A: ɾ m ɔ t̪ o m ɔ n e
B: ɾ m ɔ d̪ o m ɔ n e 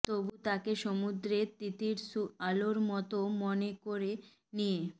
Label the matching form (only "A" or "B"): A